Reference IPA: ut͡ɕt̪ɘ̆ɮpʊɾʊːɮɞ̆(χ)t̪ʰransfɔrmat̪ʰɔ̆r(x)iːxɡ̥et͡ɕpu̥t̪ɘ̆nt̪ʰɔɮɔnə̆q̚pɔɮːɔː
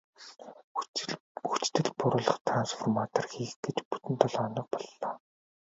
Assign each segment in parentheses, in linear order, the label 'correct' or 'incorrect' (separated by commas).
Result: correct, correct